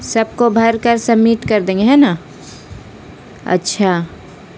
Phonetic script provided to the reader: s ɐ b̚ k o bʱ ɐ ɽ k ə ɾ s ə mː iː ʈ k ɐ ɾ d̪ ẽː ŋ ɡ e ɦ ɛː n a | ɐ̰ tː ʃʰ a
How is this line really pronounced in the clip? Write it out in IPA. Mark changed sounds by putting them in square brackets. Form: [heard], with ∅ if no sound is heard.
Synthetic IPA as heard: s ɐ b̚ k o bʱ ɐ [ɾ] k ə ɾ s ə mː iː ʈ k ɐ ɾ d̪ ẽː ŋ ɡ e ɦ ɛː n a | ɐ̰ tː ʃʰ a

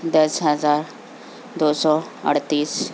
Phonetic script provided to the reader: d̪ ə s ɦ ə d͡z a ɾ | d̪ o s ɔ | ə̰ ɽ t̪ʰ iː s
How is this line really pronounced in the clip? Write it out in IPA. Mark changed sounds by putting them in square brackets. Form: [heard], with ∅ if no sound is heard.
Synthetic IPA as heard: d̪ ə s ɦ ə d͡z a ɾ | d̪ o s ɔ | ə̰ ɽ [t̪] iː s

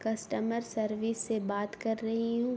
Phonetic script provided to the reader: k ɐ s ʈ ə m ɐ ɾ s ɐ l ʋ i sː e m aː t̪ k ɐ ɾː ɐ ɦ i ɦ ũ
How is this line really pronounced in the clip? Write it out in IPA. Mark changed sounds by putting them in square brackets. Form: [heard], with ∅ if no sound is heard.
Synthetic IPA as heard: k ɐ s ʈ ə m [ə] ɾ s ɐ [ɾ] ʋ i sː e [b] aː t̪ k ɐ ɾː ɐ ɦ i ɦ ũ

